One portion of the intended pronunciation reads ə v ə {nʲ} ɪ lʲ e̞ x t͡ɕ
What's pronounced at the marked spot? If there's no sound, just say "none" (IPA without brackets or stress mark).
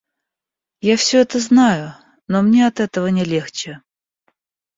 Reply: nʲ